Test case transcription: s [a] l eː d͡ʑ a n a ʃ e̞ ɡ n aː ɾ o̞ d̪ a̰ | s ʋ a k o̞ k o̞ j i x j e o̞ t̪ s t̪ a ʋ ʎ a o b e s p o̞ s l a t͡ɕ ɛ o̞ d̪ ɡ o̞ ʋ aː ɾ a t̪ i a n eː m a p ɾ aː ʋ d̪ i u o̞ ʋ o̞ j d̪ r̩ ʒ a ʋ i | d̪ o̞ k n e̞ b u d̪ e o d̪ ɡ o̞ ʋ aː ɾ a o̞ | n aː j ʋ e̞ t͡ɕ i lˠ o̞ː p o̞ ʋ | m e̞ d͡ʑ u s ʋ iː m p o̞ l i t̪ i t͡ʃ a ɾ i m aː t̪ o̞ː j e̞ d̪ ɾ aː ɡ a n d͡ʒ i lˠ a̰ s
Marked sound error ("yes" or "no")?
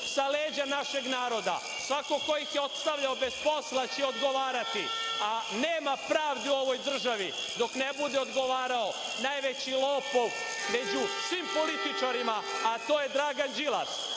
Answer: no